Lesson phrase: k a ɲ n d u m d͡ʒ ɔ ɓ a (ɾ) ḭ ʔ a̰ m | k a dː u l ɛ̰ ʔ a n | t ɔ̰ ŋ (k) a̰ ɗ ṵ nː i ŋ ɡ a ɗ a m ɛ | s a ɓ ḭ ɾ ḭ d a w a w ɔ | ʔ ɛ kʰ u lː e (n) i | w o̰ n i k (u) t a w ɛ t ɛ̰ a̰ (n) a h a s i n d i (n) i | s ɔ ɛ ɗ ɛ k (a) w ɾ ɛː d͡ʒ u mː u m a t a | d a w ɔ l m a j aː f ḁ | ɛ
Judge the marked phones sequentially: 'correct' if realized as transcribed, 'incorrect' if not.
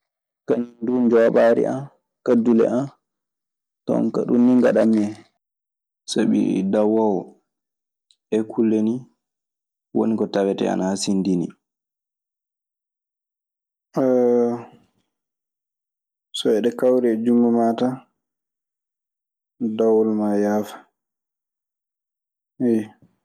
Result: correct, correct, correct, incorrect, correct, correct, correct

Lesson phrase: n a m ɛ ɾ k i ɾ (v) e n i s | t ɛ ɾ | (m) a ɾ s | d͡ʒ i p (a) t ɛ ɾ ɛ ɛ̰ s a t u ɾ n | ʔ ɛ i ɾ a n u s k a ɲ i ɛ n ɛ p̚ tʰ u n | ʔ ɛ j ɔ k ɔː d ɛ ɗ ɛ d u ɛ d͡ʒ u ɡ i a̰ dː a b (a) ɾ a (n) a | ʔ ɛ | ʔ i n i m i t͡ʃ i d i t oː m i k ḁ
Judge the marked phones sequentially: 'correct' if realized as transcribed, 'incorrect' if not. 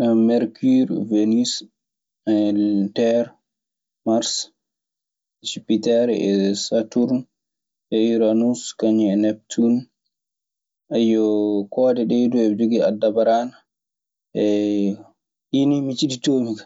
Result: correct, correct, incorrect, correct, correct

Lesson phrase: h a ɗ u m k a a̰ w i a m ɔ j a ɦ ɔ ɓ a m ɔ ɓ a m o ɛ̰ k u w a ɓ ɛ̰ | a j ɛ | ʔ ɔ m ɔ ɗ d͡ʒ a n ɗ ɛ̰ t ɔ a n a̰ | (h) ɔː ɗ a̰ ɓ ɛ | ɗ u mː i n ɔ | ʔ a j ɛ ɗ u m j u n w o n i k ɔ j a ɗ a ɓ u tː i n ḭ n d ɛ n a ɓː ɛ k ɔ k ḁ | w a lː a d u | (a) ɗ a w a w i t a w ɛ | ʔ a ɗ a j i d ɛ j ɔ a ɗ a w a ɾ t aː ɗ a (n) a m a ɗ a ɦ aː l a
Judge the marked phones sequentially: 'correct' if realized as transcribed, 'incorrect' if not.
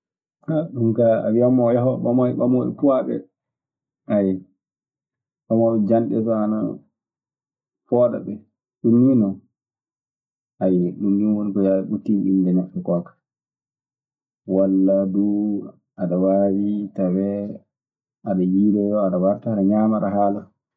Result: incorrect, correct, incorrect

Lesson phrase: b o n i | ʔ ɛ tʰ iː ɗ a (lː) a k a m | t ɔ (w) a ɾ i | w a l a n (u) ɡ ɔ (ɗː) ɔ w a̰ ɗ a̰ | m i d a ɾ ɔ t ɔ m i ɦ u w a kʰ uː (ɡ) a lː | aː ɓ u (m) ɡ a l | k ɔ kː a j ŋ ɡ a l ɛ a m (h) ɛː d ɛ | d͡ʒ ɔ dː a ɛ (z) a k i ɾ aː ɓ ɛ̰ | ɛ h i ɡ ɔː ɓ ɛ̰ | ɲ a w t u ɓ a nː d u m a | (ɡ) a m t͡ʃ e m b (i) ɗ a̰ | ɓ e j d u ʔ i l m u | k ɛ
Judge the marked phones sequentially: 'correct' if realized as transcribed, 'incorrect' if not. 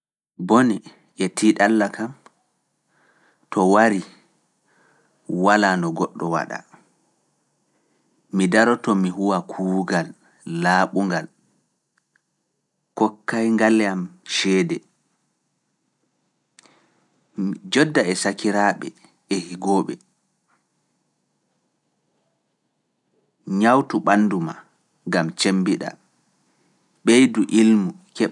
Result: correct, correct, incorrect, correct, correct, incorrect, incorrect, incorrect, correct, correct

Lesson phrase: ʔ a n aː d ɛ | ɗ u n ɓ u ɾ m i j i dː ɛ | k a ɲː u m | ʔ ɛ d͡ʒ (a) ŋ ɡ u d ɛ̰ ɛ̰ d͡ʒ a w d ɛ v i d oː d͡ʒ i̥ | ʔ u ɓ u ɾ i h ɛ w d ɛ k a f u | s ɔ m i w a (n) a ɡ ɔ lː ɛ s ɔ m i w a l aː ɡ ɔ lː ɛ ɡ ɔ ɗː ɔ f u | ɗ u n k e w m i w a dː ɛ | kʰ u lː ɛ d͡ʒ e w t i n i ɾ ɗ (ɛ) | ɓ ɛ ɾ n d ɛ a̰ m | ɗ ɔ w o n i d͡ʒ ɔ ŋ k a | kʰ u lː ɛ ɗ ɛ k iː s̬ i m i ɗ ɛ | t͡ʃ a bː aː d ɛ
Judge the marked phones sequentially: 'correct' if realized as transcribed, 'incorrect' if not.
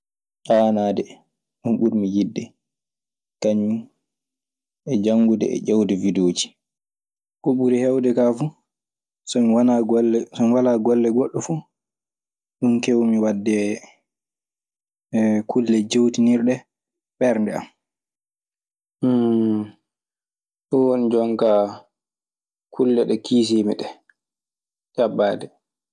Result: correct, correct, correct

